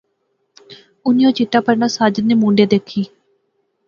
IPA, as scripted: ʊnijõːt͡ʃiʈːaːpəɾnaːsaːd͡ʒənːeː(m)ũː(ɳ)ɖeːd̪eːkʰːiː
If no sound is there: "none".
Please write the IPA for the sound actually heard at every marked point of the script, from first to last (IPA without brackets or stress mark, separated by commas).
m, ɳ